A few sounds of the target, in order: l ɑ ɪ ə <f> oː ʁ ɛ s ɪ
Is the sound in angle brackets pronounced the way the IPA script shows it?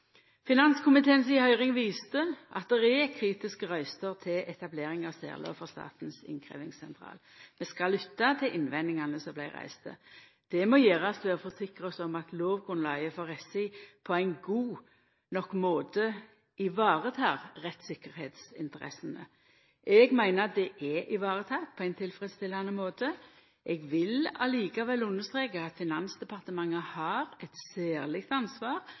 yes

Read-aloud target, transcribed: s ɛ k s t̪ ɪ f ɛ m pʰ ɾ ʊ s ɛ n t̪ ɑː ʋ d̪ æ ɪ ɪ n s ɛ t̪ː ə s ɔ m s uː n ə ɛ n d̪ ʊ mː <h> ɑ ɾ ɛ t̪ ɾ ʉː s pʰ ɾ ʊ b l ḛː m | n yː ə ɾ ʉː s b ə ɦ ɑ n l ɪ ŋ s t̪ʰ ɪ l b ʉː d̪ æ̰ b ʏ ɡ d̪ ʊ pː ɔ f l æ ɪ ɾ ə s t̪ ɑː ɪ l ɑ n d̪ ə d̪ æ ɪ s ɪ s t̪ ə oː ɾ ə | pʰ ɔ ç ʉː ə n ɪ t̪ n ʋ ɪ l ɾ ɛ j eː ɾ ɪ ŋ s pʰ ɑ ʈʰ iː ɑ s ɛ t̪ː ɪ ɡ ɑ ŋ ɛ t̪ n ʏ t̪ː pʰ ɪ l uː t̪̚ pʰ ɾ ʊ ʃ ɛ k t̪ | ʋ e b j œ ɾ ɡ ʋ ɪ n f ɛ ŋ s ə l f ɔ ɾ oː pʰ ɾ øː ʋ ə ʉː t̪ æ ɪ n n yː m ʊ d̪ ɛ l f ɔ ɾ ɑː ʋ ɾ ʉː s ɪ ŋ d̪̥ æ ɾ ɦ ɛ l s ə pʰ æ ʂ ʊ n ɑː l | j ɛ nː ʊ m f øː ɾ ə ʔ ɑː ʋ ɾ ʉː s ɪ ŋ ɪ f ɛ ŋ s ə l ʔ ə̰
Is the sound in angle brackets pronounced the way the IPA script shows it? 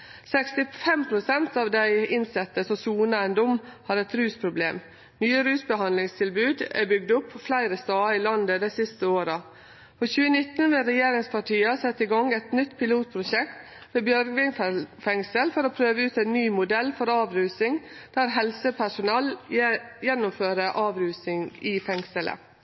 yes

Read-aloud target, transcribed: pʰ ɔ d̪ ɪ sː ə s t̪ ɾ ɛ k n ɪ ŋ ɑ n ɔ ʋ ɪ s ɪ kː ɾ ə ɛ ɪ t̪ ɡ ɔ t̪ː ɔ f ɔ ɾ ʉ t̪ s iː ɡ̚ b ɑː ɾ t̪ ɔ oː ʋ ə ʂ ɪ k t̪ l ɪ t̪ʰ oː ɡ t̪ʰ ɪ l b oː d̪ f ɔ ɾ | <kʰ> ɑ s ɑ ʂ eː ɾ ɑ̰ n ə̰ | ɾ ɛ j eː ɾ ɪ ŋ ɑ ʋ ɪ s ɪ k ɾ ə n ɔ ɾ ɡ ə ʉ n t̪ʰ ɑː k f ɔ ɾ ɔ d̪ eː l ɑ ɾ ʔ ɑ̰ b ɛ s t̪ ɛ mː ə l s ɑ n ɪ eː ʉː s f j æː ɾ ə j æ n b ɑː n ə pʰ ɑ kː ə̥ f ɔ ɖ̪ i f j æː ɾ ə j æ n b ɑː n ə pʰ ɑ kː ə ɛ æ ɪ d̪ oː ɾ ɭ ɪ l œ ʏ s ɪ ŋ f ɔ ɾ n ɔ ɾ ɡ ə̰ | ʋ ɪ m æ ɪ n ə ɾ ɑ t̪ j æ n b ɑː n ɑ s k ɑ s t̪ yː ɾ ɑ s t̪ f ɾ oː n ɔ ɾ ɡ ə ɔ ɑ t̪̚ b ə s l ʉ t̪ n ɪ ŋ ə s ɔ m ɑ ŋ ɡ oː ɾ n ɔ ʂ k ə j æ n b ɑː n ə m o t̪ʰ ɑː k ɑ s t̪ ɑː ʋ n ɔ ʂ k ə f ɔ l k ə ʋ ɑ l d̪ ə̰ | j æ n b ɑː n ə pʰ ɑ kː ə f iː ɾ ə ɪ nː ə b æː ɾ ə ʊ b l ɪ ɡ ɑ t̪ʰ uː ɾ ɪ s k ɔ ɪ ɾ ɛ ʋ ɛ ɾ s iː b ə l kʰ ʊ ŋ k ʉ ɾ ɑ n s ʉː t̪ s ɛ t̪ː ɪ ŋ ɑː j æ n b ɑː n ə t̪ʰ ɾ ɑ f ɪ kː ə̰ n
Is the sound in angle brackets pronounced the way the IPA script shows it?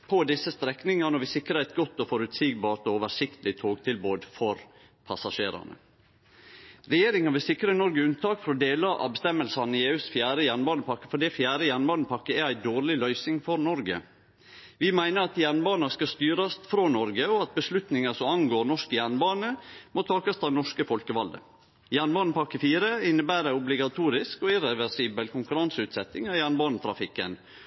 no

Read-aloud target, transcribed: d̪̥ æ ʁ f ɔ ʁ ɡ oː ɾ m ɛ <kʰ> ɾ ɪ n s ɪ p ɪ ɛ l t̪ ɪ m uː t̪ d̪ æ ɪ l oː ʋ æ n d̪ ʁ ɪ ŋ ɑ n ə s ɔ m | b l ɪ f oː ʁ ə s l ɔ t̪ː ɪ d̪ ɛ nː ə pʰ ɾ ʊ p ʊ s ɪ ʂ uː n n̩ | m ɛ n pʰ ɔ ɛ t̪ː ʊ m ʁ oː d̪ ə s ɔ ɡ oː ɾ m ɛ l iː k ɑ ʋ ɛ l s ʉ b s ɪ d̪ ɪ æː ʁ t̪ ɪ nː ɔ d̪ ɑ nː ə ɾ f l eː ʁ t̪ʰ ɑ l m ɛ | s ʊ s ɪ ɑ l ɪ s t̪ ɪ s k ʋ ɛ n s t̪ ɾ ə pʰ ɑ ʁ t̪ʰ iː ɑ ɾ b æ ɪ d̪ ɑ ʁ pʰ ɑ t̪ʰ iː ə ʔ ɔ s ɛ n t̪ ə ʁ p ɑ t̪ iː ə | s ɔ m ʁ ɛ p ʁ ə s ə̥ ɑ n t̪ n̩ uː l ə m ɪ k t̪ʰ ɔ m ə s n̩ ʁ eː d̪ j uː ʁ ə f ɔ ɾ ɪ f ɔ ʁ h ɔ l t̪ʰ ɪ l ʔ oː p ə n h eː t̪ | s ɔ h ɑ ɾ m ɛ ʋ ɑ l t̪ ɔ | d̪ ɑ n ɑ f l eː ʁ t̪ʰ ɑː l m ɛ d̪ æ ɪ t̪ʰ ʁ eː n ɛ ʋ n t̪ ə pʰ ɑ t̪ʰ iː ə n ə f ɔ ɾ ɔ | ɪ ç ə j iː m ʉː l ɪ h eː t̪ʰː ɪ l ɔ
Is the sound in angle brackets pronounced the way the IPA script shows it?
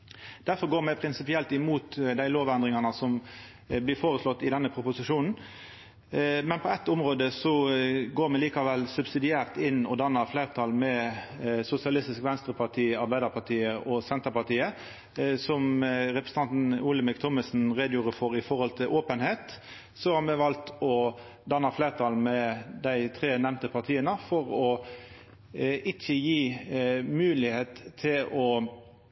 no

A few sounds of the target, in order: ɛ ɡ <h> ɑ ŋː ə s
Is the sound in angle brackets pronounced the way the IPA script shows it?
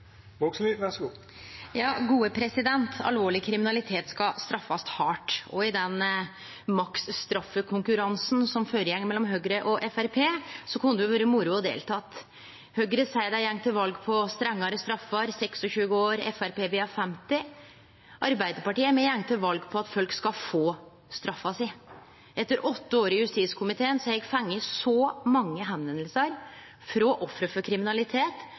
no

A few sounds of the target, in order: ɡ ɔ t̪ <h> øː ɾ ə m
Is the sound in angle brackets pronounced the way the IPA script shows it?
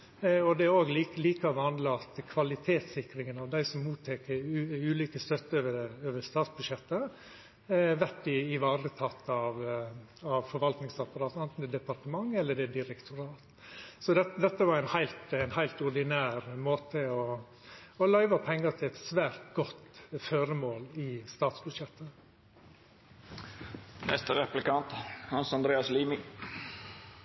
no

